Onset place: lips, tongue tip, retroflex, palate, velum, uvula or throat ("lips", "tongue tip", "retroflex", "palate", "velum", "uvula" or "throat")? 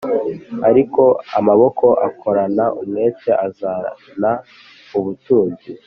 tongue tip